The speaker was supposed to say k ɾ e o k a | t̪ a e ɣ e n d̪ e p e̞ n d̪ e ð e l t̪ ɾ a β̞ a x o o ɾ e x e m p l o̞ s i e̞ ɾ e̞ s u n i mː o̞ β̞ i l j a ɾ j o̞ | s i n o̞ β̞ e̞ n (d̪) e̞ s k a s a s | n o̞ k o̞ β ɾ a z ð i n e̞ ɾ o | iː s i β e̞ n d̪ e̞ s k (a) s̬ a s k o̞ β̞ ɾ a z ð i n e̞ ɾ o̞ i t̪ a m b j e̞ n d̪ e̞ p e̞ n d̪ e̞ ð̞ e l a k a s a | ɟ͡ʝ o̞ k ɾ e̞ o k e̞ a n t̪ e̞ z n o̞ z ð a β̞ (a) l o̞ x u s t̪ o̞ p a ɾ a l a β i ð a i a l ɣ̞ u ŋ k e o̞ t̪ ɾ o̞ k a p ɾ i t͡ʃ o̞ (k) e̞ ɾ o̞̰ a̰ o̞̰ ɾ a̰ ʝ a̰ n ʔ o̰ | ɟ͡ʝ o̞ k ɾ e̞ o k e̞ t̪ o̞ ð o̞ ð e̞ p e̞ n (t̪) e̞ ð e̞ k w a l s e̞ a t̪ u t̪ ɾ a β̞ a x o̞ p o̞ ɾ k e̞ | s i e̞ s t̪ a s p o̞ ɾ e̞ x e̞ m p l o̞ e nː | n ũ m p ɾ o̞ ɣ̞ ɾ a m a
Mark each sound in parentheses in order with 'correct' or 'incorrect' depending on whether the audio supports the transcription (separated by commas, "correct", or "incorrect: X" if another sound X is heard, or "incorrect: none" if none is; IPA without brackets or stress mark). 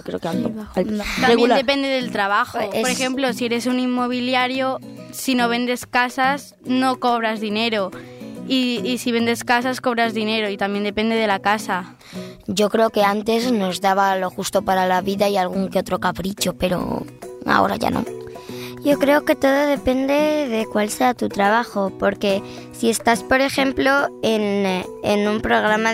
correct, correct, correct, incorrect: p, incorrect: d̪